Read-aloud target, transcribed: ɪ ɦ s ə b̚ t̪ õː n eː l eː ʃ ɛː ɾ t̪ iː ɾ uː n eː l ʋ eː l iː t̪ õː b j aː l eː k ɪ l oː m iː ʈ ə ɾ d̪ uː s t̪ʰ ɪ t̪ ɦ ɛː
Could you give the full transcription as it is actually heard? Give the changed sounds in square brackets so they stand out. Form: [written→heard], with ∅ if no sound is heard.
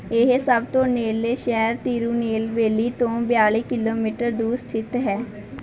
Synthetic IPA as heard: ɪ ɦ s ə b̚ t̪ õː n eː l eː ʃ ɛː ɾ t̪ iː ɾ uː n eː l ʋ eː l iː t̪ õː b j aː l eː k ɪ l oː m iː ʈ ə ɾ d̪ uː s t̪ʰ ɪ t̪ ɦ ɛː